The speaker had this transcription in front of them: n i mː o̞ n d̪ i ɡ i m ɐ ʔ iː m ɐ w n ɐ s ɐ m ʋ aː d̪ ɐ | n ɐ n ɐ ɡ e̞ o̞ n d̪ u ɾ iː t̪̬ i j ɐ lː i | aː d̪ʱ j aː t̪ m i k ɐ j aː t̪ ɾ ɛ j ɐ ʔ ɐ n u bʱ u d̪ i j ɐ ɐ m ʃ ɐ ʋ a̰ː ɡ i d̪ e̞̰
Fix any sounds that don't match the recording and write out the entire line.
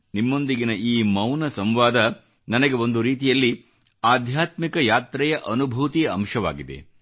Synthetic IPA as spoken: n i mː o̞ n d̪ i ɡ i n ɐ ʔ iː m ɐ w n ɐ s ɐ m ʋ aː d̪ ɐ | n ɐ n ɐ ɡ e̞ o̞ n d̪ u ɾ iː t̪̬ i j ɐ lː i | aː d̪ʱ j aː t̪ m i k ɐ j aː t̪ ɾ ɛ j ɐ ʔ ɐ n u bʱ u t̪ i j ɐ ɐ m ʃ ɐ ʋ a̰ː ɡ i d̪ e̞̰